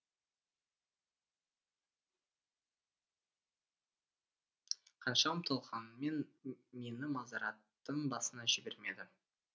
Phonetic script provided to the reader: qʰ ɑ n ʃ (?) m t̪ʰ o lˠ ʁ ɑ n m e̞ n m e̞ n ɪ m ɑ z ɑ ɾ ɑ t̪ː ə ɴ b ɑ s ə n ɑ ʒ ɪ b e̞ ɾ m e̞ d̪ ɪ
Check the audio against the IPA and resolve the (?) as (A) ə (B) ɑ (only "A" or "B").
B